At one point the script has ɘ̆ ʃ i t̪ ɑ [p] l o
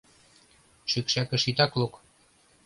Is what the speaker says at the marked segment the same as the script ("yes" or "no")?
no